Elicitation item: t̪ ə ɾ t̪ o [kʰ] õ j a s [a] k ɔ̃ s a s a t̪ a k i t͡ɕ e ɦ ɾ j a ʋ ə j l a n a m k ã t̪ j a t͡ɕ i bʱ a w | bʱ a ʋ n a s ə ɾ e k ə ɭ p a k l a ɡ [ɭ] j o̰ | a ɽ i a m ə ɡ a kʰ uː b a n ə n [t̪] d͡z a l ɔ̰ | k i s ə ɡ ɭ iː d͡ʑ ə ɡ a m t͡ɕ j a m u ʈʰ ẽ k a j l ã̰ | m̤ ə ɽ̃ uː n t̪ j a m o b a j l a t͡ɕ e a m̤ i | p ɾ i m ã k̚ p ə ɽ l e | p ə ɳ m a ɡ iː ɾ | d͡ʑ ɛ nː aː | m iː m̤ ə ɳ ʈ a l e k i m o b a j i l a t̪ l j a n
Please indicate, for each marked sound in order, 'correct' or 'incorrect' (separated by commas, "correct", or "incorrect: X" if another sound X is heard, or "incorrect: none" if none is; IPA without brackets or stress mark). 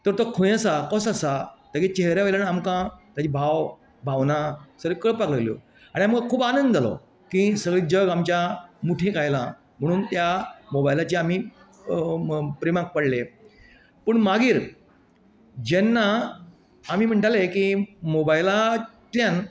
correct, correct, incorrect: l, incorrect: d̪